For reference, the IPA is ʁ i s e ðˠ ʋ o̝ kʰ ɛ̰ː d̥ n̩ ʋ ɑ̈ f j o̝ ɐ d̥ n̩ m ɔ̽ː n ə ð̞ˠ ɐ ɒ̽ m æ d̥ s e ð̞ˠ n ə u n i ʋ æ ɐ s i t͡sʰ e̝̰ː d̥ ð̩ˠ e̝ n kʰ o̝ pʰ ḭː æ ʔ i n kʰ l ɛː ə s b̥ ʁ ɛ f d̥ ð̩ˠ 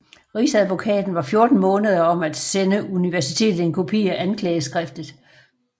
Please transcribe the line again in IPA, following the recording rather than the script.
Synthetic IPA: ʁ i s æ ðˠ ʋ o̝ kʰ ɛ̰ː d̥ n̩ ʋ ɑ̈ f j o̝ ɐ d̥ n̩ m ɔ̽ː n ə ð̞ˠ ɐ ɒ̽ m æ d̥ s e n ə u n i ʋ æ ɐ s i t͡sʰ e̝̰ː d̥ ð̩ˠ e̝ n kʰ o̝ pʰ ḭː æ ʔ æ n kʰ l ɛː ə s ɡ̥ ʁ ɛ f d̥ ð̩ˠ